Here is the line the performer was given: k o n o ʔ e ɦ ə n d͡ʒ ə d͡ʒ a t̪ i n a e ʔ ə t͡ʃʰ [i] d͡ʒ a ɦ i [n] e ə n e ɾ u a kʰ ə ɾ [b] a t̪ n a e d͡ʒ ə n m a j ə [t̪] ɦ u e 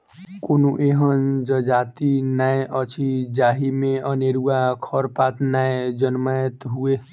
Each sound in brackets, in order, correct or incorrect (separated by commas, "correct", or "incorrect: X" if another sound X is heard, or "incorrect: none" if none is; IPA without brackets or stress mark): correct, incorrect: m, incorrect: p, correct